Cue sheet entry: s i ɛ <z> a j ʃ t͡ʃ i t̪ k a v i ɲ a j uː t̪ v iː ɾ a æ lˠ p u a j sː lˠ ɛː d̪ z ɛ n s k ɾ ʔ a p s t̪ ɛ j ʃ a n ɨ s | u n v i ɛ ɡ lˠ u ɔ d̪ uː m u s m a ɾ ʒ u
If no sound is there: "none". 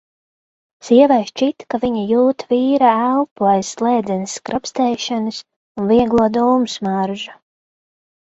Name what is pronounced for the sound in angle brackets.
v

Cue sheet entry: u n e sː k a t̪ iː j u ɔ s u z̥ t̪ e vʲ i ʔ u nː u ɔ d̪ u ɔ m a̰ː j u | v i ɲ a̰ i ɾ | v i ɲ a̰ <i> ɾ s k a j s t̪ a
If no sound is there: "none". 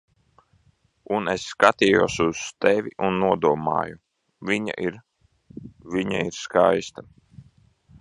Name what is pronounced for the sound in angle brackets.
i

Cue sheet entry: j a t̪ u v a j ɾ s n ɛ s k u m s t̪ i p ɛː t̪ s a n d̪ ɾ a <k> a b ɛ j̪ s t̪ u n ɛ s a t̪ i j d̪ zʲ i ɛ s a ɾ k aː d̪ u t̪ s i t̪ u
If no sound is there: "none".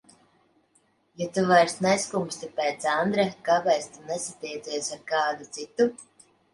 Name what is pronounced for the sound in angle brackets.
k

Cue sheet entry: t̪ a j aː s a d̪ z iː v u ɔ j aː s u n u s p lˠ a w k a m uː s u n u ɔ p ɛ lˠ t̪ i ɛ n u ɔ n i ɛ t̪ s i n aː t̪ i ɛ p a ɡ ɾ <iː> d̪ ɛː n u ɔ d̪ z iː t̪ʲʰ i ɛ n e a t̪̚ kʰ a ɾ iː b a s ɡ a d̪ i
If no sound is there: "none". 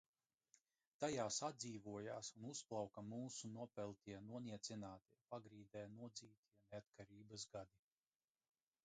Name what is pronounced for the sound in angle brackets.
iː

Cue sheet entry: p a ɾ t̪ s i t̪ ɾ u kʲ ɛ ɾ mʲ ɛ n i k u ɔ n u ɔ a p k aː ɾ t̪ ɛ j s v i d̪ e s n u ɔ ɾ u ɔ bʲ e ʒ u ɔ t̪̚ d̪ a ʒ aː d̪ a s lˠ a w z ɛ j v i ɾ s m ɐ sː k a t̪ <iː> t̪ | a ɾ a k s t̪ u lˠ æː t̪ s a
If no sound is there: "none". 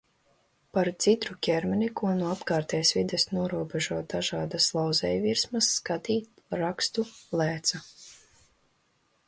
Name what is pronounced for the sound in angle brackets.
iː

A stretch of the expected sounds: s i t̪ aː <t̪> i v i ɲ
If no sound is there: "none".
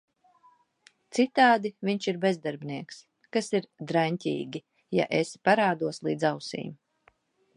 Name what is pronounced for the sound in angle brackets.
d̪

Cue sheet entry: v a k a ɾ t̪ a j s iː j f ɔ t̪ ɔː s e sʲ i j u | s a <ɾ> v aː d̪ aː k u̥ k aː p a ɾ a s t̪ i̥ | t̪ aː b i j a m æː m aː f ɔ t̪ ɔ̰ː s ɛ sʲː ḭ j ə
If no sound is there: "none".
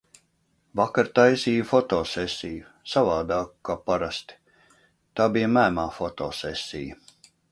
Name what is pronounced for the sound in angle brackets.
none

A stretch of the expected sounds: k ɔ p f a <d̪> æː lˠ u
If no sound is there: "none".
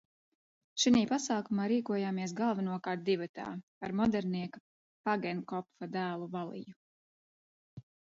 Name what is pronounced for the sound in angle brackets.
d̪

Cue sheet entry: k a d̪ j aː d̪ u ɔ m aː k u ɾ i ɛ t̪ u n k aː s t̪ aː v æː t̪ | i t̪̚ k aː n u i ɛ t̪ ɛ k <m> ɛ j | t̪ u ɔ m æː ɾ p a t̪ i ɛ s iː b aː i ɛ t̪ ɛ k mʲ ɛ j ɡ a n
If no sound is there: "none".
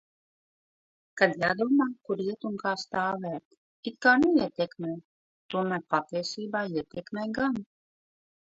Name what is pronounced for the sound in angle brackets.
m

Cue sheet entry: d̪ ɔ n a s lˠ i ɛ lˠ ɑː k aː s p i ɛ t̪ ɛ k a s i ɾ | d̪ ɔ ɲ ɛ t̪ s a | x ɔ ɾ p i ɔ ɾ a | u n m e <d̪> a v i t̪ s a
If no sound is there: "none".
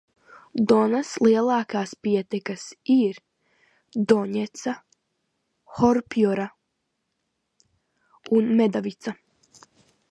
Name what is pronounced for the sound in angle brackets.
d̪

